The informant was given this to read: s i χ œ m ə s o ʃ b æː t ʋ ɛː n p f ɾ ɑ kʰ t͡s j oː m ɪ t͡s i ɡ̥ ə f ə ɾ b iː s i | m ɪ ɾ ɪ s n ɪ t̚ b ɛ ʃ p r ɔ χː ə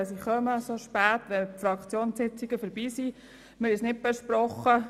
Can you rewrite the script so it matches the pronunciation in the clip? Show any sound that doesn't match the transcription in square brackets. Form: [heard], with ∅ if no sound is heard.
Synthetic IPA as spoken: s i χ œ m ə s o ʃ [p] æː t ʋ [ɛ] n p f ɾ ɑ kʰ t͡s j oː [n] ɪ t͡s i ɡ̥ ə f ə ɾ b iː s i | m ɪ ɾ ɪ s n ɪ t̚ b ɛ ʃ p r ɔ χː ə